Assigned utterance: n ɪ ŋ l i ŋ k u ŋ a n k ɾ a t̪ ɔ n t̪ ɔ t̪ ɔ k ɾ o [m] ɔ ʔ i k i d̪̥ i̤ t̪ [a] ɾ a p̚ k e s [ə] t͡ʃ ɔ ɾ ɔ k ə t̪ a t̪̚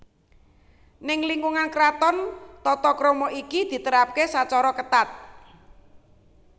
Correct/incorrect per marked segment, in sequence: correct, incorrect: ə, incorrect: a

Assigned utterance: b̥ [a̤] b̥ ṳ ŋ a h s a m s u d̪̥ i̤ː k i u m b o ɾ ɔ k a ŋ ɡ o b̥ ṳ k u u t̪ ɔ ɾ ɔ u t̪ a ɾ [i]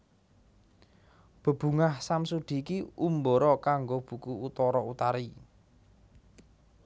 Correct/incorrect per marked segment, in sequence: incorrect: ə̤, correct

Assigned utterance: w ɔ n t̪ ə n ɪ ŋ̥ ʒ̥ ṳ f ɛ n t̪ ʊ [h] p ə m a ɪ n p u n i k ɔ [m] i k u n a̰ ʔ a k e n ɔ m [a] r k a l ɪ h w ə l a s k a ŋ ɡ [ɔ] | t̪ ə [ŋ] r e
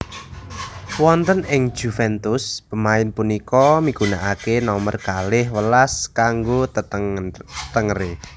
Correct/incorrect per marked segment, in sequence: incorrect: s, correct, incorrect: ə, incorrect: o, correct

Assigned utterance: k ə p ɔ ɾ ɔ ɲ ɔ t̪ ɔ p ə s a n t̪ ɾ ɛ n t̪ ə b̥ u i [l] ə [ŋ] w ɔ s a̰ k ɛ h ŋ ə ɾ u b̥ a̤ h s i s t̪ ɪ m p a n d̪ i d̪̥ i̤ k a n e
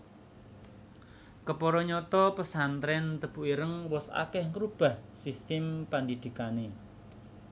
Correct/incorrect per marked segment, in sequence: incorrect: ɾ, correct

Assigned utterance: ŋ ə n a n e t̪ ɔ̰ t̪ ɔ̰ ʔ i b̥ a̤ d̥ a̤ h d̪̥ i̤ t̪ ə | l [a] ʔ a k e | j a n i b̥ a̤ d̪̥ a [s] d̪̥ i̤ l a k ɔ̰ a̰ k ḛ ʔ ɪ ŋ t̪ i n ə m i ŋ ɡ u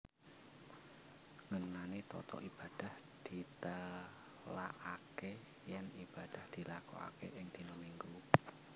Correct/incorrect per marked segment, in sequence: correct, incorrect: h

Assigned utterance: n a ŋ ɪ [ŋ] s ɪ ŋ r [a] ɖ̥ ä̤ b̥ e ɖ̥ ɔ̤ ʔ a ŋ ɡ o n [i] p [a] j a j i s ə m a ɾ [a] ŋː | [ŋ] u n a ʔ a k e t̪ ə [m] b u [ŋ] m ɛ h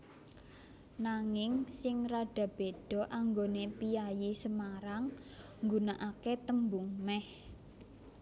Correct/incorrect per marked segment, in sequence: correct, correct, incorrect: e, incorrect: i, correct, incorrect: ɡ, correct, correct

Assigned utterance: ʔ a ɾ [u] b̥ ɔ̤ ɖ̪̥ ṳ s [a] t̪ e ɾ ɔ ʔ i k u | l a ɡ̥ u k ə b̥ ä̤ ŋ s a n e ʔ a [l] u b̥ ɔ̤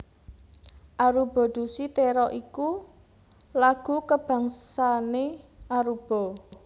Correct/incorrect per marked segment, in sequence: correct, incorrect: i, incorrect: ɾ

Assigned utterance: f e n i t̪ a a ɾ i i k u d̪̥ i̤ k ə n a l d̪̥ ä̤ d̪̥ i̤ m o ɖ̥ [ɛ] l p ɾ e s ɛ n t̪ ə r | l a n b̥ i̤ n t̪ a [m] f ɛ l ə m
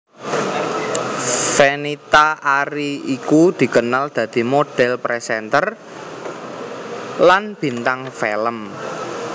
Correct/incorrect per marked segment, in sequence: correct, incorrect: ŋ

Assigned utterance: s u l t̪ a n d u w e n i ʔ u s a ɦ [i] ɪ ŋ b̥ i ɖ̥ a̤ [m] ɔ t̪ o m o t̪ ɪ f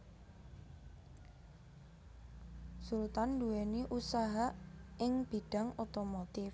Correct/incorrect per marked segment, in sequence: incorrect: a, incorrect: ŋ

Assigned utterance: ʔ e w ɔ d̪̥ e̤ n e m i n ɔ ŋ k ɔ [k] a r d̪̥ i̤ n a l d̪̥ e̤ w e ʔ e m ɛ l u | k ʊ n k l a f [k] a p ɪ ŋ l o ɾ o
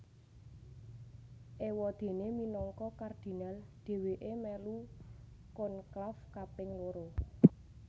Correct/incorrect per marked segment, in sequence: correct, correct

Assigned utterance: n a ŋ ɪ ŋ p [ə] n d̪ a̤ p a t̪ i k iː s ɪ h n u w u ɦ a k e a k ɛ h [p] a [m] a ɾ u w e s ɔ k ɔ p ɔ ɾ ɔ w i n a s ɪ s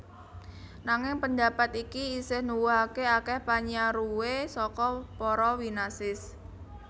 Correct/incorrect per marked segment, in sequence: correct, correct, incorrect: ɲ

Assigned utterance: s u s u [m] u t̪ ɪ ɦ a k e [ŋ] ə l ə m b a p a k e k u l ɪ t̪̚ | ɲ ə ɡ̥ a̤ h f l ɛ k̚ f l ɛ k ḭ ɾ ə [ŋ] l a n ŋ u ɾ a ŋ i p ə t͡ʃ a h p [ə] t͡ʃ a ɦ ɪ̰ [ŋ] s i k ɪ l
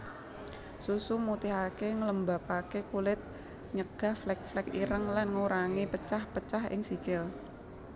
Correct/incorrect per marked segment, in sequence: correct, correct, correct, correct, correct

